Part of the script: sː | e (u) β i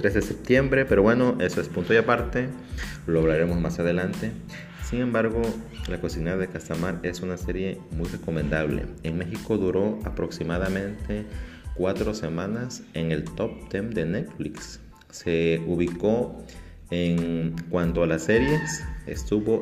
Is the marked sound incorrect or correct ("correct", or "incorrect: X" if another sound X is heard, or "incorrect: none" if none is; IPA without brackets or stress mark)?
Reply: correct